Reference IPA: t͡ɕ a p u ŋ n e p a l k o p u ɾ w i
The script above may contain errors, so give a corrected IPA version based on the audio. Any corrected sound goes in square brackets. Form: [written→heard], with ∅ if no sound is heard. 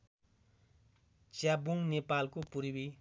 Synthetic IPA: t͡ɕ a [p→b] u ŋ n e p a l k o p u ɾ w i